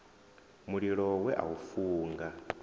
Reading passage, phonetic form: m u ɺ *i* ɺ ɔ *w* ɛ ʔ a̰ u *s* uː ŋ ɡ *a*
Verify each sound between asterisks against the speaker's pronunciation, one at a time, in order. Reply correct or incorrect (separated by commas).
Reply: correct, correct, incorrect, correct